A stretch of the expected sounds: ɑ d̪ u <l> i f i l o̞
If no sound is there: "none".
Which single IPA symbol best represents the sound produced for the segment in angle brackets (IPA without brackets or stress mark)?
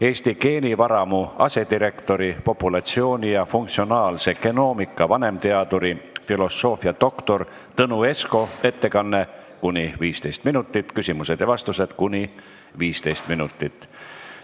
ɾ